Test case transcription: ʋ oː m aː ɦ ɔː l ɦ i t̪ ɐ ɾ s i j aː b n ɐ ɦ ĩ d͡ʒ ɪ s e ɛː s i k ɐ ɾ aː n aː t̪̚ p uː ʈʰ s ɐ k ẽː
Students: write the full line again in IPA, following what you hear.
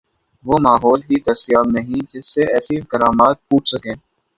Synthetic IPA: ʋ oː m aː ɦ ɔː l ɦ i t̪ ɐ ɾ s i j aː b n ɐ ɦ ĩ d͡ʒ ɪ sː e ɛː s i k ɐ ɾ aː m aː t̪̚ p uː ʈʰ s ɐ k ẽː